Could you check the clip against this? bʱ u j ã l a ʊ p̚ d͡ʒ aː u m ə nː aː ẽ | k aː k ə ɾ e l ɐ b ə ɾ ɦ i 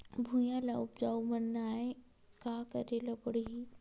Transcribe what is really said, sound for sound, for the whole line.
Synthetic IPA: bʱ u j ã l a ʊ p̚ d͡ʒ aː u m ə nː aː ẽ | k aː k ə ɾ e l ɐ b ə ɽ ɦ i